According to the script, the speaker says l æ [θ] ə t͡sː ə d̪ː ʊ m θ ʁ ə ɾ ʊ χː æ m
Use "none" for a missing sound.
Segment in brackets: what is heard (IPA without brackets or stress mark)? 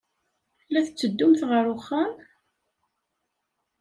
θ